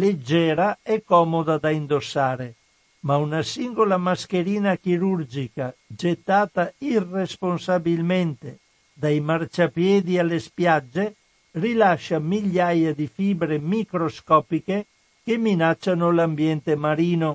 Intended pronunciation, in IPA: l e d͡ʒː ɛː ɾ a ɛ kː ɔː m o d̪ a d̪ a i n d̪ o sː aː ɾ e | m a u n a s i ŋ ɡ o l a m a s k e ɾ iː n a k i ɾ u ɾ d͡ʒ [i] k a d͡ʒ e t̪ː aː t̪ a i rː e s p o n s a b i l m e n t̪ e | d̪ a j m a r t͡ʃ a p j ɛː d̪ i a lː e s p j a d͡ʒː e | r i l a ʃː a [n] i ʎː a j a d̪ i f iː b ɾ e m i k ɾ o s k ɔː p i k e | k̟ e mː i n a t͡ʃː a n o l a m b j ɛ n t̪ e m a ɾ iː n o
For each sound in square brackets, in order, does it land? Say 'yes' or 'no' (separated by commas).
yes, no